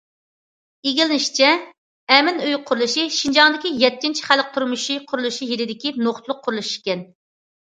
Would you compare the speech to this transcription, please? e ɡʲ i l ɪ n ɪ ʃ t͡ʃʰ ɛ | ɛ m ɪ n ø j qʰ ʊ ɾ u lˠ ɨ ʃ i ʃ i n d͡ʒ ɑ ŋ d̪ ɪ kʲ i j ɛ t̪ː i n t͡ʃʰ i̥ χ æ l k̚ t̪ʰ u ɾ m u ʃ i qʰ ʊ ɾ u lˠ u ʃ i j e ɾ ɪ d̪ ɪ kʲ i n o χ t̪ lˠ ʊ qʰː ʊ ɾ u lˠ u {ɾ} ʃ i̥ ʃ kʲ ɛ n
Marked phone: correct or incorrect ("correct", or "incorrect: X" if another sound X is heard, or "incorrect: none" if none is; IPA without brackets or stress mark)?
incorrect: none